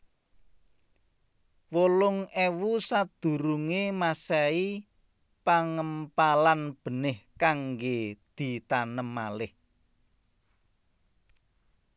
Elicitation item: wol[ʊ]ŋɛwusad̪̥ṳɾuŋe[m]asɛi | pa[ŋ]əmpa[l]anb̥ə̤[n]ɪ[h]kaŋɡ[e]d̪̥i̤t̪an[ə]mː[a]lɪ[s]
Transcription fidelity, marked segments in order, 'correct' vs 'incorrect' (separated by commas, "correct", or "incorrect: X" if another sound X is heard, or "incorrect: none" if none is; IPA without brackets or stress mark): correct, correct, correct, correct, correct, correct, correct, correct, correct, incorrect: h